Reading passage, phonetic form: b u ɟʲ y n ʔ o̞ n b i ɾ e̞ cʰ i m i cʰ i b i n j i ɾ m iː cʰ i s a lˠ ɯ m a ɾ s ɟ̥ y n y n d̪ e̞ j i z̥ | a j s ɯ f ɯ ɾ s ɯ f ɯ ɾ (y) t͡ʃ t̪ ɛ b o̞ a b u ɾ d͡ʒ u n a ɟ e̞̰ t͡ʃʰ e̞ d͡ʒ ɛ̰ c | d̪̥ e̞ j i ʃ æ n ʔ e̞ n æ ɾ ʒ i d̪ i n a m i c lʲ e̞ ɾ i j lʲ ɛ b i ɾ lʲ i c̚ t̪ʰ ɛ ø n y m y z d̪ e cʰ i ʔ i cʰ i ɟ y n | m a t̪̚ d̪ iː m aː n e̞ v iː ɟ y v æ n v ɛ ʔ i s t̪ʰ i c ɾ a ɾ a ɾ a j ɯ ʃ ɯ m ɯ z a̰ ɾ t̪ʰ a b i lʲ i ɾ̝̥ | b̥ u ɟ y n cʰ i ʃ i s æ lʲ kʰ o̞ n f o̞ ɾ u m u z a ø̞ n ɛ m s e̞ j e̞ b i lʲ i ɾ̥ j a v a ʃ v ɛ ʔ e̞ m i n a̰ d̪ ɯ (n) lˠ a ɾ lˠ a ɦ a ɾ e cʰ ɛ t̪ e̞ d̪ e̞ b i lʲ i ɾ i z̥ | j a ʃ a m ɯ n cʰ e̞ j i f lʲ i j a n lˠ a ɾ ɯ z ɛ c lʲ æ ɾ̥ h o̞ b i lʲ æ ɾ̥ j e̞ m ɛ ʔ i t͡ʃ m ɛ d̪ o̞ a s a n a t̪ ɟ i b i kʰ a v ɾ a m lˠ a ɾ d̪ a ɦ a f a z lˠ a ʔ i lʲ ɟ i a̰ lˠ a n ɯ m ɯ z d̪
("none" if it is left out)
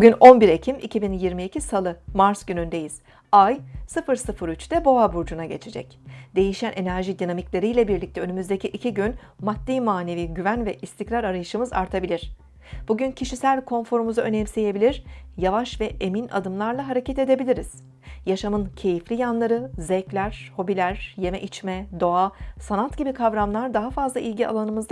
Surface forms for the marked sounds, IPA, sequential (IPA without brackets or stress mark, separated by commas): y, m